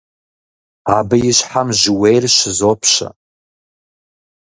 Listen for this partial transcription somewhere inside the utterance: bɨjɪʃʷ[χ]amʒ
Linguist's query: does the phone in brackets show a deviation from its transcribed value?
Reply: yes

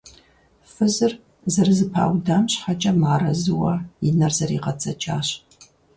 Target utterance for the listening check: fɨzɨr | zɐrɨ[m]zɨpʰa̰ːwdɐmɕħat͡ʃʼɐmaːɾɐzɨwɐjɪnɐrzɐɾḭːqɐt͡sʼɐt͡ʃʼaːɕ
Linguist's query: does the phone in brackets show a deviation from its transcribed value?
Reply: yes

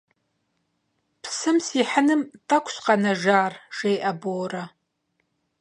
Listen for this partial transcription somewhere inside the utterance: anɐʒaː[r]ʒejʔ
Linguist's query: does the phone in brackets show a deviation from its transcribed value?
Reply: no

